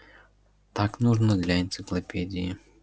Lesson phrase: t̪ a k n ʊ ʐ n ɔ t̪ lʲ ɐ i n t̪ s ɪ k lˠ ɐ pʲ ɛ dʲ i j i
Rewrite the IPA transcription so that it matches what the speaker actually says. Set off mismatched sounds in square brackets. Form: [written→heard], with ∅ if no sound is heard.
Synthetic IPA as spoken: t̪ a k n [ʊ→u] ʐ n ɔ [t̪→d̪] lʲ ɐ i n t̪ s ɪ k lˠ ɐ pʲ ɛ dʲ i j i